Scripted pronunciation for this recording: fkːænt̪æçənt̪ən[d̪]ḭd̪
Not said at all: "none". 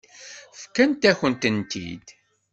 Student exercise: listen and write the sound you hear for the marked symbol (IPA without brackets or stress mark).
t̪